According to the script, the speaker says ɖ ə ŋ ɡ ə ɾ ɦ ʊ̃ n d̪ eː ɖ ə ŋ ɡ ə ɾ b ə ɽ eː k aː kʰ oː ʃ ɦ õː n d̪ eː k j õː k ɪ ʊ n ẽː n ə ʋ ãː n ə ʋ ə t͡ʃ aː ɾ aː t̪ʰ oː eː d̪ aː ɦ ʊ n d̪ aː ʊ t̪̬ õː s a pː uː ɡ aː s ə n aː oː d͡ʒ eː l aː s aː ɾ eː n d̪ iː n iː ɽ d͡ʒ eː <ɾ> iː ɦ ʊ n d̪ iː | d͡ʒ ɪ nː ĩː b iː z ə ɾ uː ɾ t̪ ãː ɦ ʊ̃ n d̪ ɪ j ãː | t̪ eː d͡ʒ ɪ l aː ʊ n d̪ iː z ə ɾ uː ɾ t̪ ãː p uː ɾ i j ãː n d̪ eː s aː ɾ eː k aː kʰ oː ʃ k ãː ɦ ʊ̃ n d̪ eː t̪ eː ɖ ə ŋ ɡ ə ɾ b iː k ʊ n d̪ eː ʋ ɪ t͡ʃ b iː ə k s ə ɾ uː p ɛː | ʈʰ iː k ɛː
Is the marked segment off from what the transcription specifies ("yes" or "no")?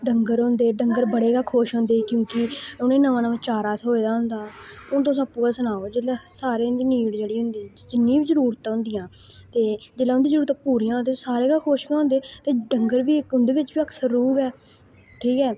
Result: yes